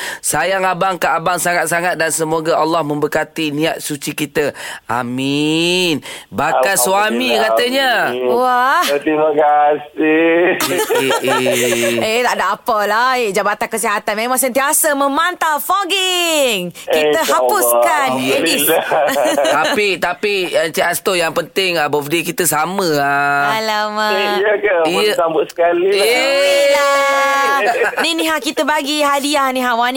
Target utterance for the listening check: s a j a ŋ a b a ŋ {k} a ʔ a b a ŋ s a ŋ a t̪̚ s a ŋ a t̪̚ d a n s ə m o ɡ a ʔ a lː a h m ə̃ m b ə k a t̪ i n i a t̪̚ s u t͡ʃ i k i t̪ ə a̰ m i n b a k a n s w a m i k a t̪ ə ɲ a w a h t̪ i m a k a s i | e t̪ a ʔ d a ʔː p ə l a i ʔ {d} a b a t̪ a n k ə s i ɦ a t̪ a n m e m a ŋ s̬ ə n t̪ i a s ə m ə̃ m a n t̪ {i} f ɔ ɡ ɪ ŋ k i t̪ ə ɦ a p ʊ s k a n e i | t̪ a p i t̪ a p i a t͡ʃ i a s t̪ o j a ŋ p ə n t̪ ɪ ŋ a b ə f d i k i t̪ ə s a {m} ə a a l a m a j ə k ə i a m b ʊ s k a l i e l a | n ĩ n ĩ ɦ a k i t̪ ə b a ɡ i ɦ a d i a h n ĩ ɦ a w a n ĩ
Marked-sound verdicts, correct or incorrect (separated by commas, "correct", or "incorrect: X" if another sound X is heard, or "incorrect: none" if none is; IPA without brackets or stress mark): correct, incorrect: d͡ʒ, incorrect: a, correct